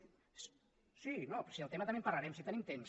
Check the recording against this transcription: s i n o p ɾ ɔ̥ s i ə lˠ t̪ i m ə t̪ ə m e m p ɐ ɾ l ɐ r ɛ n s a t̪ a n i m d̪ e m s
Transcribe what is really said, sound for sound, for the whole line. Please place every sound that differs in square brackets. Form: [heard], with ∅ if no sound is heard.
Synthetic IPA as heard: s i n o p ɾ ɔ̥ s i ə lˠ t̪ [e] m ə t̪ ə m e m p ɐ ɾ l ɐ [ɾ] ɛ [m] s [i] t̪ [ə] n i m [t̪] e m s